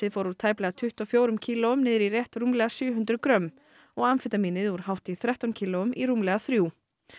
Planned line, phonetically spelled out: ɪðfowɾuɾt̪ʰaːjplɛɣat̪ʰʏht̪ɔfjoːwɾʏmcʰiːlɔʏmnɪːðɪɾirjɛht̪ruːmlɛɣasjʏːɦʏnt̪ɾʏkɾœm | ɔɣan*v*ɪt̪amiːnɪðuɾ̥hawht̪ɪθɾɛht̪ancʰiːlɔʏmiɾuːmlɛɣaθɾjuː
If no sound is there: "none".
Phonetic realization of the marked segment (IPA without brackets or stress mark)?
f